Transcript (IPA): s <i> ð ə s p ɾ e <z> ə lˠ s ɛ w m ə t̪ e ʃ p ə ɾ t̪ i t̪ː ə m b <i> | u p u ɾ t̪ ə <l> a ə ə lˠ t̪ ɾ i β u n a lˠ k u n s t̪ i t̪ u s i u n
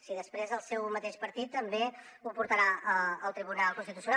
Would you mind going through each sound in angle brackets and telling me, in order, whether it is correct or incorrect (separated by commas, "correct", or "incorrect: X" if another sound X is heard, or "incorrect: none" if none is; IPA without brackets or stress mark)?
correct, correct, incorrect: e, incorrect: ɾ